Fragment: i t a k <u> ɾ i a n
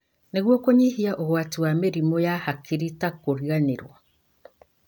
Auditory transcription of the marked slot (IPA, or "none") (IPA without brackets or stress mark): o